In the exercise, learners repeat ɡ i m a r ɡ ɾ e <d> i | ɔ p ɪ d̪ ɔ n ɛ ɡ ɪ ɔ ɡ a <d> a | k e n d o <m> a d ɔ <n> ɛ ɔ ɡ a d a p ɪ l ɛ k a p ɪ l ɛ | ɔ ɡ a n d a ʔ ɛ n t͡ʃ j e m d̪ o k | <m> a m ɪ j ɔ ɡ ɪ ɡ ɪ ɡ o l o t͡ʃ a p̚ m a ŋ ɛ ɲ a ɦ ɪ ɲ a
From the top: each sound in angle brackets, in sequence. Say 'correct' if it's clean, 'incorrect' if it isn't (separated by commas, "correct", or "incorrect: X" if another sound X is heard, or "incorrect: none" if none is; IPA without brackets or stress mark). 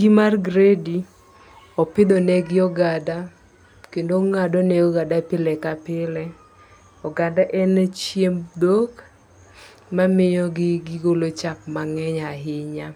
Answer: correct, correct, incorrect: ŋ, correct, correct